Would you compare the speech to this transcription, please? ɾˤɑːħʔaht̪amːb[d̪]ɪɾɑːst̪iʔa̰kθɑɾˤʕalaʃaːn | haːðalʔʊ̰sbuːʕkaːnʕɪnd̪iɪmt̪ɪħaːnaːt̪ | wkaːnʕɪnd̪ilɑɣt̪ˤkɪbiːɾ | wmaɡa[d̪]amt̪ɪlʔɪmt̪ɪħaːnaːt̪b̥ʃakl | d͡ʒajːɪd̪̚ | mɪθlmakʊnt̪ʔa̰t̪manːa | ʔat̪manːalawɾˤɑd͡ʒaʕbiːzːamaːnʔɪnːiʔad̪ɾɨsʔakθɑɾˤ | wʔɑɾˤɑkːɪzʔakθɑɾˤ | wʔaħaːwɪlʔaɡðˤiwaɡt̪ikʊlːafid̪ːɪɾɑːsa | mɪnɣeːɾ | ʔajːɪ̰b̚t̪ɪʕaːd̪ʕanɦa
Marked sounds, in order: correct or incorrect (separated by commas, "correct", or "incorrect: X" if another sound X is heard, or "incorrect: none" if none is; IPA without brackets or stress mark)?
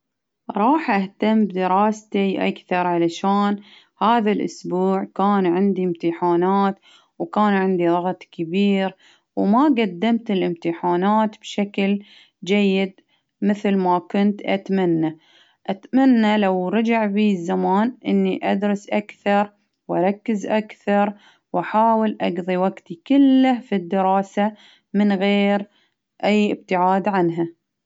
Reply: correct, incorrect: d̪ː